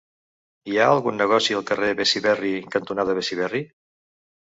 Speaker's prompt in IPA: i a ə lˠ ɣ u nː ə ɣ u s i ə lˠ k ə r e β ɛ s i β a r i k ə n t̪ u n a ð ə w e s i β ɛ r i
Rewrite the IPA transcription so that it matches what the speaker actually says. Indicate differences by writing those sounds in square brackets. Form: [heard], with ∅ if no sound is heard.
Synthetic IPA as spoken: i a ə lˠ ɣ u nː ə ɣ [ɔ] s i ə lˠ k ə r e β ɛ s i β [ɛ] r i k ə n t̪ u n a ð ə [β] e s i β ɛ r i